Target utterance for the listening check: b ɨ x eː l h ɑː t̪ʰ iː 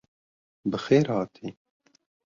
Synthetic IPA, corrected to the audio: b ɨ x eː ɾ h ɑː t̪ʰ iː